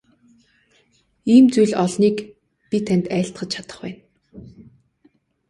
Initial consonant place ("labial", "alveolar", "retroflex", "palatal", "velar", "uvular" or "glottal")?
labial